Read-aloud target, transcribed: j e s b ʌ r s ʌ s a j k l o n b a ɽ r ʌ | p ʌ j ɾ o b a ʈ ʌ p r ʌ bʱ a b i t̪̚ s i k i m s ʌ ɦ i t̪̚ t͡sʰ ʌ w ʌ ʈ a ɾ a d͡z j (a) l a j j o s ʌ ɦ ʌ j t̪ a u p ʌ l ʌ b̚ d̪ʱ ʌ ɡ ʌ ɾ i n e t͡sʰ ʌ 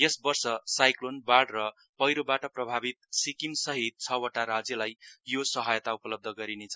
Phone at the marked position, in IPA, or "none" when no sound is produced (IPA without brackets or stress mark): ʌ